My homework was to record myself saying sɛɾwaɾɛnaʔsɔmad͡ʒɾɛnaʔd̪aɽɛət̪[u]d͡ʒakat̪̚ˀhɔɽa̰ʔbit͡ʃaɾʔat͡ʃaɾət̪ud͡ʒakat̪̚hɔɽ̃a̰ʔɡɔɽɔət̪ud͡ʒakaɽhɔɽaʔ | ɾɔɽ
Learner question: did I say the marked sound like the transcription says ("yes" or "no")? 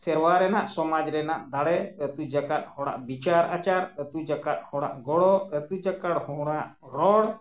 yes